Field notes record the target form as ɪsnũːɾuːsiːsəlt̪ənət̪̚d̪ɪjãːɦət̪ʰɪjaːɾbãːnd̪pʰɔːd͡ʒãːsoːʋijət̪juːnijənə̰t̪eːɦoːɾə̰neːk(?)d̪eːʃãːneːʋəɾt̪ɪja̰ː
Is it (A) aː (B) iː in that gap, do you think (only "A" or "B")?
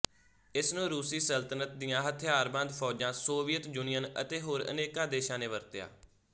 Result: A